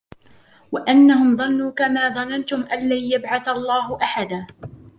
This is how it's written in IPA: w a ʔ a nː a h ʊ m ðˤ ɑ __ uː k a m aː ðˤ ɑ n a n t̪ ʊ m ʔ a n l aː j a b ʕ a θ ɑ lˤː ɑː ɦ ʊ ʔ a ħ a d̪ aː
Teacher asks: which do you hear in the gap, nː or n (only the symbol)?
nː